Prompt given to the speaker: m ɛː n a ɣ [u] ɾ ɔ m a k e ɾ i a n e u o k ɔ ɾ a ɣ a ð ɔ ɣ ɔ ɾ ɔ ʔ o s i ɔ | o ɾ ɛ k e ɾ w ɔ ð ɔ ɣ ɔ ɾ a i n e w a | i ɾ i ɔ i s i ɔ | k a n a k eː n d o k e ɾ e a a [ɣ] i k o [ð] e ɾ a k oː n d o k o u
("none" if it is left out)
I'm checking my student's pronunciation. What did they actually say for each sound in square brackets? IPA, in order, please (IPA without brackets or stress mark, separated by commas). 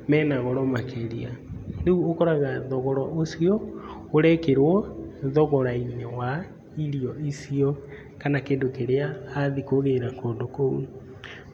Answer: ɔ, ð, ɣ